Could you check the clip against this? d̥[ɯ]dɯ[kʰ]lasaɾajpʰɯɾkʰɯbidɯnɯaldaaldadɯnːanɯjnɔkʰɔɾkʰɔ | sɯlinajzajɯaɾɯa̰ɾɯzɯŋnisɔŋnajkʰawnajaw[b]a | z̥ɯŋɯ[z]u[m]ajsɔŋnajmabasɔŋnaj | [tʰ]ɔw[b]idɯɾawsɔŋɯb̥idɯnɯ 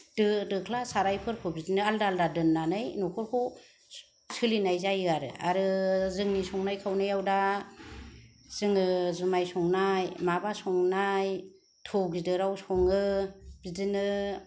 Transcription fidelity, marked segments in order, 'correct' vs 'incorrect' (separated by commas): correct, correct, incorrect, correct, correct, correct, incorrect